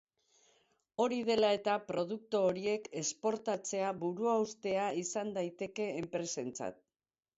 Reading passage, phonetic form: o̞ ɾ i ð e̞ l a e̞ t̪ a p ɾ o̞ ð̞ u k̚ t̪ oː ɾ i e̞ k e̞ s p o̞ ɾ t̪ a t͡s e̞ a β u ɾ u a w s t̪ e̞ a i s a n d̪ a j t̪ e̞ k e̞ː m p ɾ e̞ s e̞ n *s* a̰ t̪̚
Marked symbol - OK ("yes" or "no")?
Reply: no